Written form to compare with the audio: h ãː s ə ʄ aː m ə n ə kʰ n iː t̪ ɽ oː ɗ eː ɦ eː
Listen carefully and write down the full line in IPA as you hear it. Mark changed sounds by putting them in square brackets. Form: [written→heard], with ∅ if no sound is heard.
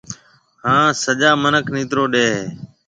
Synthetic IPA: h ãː s ə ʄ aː m ə n ə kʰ n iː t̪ [ɽ→ɾ] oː ɗ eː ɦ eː